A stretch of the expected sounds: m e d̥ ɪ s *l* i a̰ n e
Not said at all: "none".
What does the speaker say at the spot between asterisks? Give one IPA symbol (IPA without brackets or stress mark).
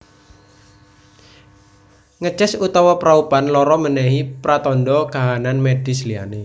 l